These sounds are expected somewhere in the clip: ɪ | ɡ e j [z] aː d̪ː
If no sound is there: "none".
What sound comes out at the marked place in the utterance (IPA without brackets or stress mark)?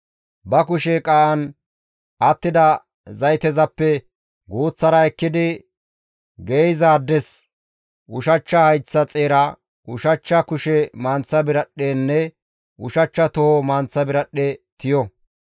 z